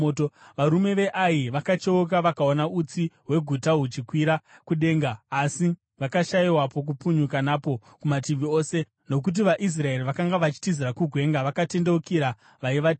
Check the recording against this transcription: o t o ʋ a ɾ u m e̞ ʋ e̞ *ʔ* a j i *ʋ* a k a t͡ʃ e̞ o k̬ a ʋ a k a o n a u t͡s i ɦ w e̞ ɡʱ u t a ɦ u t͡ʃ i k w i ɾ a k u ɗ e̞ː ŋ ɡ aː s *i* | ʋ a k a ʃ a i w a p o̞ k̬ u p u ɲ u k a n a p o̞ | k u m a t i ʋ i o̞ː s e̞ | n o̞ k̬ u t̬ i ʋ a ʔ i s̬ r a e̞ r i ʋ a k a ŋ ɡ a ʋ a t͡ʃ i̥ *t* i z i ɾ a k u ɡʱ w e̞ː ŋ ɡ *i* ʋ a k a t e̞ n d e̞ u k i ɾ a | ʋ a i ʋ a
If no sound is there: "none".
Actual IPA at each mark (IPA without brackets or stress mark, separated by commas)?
ʔ, ʋ, i, t, a